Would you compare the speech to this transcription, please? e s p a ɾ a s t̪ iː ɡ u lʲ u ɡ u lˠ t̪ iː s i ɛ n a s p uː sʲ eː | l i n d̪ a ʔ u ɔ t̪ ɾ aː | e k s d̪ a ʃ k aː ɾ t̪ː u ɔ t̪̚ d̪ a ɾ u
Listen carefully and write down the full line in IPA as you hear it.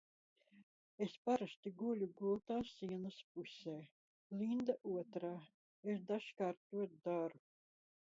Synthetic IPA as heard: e s p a ɾ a s t̪ i ɡ u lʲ u ɡ u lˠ t̪ aː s i ɛ n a s p u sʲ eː | l i n d̪ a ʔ u ɔ t̪ ɾ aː | e s d̪ a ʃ k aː ɾ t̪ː u ɔ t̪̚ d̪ a ɾ u

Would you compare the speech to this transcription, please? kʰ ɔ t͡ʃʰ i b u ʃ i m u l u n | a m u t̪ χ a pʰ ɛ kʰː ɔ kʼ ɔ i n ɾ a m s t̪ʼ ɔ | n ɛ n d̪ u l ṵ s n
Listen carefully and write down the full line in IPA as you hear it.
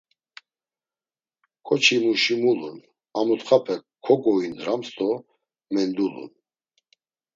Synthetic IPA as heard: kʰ ɔ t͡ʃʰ i m u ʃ i m u l u n | a m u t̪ χ a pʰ ɛ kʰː ɔ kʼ ɔ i n ɾ a m s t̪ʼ ɔ | m ɛ n d̪ u l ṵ n

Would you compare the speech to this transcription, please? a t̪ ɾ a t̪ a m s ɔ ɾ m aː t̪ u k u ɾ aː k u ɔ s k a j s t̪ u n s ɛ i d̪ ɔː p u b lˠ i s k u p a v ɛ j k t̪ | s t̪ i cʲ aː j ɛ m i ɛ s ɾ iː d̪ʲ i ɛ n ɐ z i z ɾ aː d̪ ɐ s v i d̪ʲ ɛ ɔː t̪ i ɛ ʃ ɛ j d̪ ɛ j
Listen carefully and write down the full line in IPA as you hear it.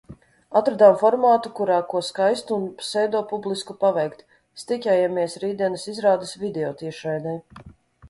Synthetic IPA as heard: a t̪ ɾ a d̪ a m f ɔ ɾ m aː t̪ u k u ɾ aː k u ɔ s k a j s t̪ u n s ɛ j d̪ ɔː p u b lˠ i s k u p a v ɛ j k t̪ | s t̪ i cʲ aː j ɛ m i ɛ s ɾ iː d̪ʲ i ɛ n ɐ s i z ɾ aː d̪ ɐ s v i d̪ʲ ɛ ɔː t̪ i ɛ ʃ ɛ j d̪ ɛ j

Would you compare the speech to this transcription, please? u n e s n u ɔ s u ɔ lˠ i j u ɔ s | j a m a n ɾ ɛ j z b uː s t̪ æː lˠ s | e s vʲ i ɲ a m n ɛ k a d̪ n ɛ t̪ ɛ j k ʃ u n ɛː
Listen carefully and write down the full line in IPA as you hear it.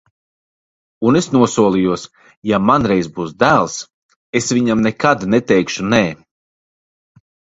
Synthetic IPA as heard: u n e s n u ɔ s u ɔ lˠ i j u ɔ s | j a m a n ɾ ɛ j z b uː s d̪ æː lˠ s | e s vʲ i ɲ a m n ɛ k a d̪ n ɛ t̪ ɛ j k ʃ u n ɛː

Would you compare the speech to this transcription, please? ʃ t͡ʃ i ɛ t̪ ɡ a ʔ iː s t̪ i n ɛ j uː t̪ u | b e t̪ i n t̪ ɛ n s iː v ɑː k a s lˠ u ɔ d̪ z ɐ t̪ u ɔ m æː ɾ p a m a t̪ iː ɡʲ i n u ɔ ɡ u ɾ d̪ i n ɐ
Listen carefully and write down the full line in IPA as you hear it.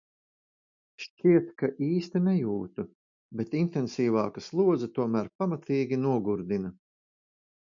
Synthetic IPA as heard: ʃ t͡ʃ i ɛ t̪ k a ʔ iː s t̪ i n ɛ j uː t̪ u | b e t̪ i n t̪ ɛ n s iː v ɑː k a s lˠ u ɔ d̪ z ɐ t̪ u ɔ m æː ɾ p a m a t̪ iː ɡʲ i n u ɔ ɡ u ɾ d̪ i n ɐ

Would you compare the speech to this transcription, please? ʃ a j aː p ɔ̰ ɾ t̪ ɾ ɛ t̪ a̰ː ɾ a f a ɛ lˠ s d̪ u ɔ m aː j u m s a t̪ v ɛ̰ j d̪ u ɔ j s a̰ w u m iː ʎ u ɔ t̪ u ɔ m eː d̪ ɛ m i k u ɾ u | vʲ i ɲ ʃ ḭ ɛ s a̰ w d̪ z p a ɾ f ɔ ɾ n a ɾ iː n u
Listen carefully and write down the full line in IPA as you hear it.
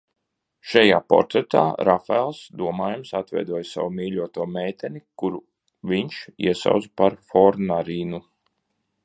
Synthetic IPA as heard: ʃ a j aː p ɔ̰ ɾ t̪ ɾ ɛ t̪ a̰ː ɾ a f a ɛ lˠ s d̪ u ɔ m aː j u m s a t̪ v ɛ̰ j d̪ u ɔ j s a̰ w u m iː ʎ u ɔ t̪ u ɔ m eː t̪ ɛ n i k u ɾ u | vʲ i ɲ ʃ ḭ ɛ s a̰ w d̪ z p a ɾ f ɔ ɾ n a ɾ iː n u

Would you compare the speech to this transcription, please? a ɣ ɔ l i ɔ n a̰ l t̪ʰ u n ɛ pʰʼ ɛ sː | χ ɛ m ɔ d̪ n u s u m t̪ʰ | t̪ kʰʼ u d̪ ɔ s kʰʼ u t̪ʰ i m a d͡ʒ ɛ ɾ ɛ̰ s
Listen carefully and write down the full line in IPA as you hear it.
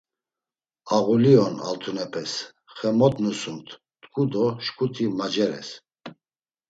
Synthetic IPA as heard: a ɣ u l i ɔ n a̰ l t̪ʰ u n ɛ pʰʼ ɛ s | χ ɛ m ɔ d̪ n u s u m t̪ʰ | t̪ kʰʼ u d̪ ɔ ʃ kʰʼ u t̪ʰ i m a d͡ʒ ɛ ɾ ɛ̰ s

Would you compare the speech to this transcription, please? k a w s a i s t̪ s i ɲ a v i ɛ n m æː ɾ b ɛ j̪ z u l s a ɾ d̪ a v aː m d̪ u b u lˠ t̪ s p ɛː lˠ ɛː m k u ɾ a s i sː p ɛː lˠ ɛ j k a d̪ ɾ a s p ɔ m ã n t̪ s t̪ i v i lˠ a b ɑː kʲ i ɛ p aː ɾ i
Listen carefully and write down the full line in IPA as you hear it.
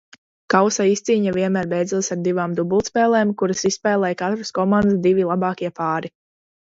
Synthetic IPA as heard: k a w s a i s t̪ s iː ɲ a v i ɛ n m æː ɾ b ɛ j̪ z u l s a ɾ d̪ i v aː m d̪ u b u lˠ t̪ s p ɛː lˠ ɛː m k u ɾ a s i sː p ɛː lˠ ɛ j k a t̪ ɾ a s k ɔ m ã n d̪ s d̪ i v i lˠ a b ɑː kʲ i ɛ p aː ɾ i

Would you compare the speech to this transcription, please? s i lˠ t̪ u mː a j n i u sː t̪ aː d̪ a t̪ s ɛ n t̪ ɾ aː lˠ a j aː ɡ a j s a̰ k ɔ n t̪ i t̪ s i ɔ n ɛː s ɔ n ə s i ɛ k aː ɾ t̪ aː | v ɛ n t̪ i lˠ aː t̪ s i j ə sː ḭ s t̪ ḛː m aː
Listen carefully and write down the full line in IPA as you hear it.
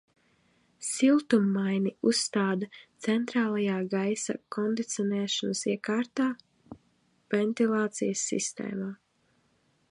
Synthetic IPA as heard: s i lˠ t̪ u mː a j n i u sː t̪ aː d̪ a t̪ s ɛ n t̪ ɾ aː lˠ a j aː ɡ a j s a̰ k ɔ n d̪ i t̪ s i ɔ n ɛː ʃ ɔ n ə s i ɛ k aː ɾ t̪ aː | v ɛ n t̪ i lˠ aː t̪ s i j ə sː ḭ s t̪ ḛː m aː

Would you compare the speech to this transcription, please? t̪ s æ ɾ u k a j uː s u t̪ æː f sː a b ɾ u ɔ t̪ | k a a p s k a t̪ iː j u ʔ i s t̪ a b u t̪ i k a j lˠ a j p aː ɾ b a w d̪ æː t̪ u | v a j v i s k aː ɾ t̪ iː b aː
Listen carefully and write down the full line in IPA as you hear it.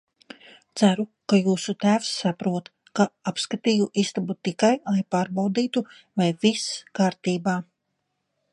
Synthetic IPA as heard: t̪ s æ ɾ u k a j uː s u t̪ æː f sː a p ɾ u ɔ t̪ | k a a p s k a t̪ iː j u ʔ i s t̪ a b u t̪ i k a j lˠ a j p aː ɾ b a w d̪ iː t̪ u | v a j v i s k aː ɾ t̪ iː b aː

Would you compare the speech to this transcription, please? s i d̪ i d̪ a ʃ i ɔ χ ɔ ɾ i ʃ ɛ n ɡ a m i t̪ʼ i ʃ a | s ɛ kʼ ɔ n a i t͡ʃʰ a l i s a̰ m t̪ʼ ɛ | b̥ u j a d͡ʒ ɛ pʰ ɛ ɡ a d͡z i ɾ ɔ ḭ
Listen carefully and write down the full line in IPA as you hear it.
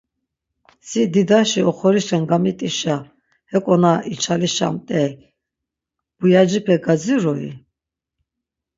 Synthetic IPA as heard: s i d̪ i d̪ a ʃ i ɔ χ ɔ ɾ i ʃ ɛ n ɡ a m i t̪ʼ i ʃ a | h ɛ kʼ ɔ n a i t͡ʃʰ a l i ʃ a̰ m t̪ʼ ɛ | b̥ u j a d͡ʒ i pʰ ɛ ɡ a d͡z i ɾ ɔ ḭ

